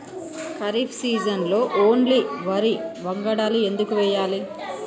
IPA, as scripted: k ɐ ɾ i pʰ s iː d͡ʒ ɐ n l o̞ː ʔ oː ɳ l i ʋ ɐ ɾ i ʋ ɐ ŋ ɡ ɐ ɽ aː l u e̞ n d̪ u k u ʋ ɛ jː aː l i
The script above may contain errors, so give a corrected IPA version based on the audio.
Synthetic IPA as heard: k ɐ ɾ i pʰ s iː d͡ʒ ɐ n l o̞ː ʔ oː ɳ l i ʋ ɐ ɾ i ʋ ɐ ŋ ɡ ɐ ɽ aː l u e̞ n d̪ u k u ʋ ɛ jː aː l i